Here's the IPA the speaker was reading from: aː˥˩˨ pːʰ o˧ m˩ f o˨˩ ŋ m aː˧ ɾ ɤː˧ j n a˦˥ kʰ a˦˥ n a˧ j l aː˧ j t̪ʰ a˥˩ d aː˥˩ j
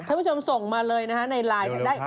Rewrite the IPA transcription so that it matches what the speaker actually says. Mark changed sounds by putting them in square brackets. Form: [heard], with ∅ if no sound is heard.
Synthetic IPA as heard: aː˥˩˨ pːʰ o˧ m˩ [s] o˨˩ ŋ m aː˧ [l] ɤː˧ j n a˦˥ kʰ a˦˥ n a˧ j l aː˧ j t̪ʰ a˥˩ d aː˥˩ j